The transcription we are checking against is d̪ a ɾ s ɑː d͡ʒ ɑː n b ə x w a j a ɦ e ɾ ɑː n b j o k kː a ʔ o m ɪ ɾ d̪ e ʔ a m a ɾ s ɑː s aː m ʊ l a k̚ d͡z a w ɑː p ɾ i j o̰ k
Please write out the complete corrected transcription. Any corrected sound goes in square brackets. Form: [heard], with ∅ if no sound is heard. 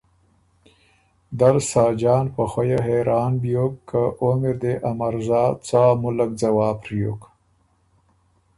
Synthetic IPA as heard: d̪ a ɾ s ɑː d͡ʒ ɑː n [p] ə x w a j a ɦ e ɾ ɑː n b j o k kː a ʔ o m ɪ ɾ d̪ e ʔ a m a ɾ [z] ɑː [t͡s] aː m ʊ l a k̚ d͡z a w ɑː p ɾ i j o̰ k